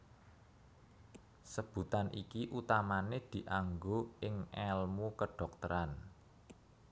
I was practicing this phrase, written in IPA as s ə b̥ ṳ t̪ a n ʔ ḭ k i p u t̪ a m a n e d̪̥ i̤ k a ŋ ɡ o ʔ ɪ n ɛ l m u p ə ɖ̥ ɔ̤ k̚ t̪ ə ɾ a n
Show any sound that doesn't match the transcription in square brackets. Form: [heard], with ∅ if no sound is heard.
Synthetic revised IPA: s ə b̥ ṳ t̪ a n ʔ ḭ k i [ʔ] u t̪ a m a n e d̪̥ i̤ [ʔ] a ŋ ɡ o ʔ ɪ [ŋ] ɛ l m u [k] ə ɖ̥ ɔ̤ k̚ t̪ ə ɾ a n